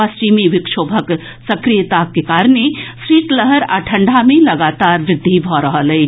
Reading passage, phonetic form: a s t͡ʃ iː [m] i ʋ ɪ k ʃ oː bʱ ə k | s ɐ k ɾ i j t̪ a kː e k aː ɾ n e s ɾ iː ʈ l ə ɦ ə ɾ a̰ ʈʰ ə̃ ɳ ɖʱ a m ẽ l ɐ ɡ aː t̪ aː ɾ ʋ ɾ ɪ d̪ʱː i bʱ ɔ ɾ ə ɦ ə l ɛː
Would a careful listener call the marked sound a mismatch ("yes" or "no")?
no